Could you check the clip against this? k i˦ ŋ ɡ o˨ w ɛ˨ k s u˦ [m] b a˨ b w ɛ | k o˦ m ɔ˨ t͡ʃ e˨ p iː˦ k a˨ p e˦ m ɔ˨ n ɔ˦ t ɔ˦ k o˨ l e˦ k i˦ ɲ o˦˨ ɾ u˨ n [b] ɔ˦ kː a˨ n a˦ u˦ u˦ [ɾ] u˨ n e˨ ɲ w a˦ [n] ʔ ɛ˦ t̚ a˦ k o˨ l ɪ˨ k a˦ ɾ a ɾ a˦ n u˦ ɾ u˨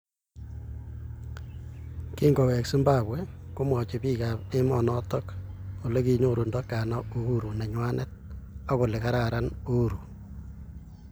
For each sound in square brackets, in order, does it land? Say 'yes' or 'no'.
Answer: yes, no, yes, yes

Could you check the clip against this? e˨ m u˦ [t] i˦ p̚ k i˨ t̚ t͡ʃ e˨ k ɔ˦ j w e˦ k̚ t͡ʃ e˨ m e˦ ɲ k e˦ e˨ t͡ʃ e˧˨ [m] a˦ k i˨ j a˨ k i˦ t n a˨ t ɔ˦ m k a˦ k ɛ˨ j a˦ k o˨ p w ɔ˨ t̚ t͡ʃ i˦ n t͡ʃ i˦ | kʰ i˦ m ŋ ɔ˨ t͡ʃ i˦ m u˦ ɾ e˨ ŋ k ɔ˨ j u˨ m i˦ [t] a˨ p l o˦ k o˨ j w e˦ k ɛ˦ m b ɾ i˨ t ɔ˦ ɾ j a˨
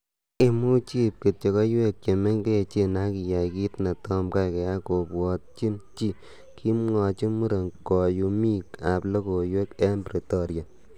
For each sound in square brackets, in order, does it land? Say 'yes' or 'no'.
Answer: no, no, no

